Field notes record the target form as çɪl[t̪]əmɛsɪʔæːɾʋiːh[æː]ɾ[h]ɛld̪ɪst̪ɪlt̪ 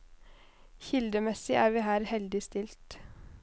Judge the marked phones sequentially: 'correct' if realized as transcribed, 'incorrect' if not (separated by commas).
incorrect, correct, correct